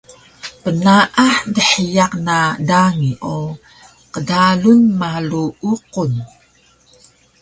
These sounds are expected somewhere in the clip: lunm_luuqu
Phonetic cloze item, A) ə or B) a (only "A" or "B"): B